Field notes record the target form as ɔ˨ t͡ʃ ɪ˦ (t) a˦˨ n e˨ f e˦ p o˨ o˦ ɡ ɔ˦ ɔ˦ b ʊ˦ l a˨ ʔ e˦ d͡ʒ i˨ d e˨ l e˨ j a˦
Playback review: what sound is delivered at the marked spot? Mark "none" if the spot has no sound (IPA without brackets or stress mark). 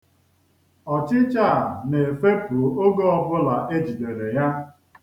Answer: t͡ʃ